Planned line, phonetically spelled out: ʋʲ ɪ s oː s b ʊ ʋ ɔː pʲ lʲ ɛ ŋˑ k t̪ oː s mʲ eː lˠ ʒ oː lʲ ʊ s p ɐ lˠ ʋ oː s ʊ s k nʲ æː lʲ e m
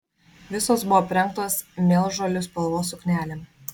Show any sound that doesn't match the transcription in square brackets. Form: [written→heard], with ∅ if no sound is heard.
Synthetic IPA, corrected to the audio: ʋʲ ɪ s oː s b ʊ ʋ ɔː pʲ [lʲ→ɾʲ] ɛ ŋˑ k t̪ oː s mʲ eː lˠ ʒ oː lʲ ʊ s p ɐ lˠ ʋ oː s ʊ [s→∅] k nʲ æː lʲ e m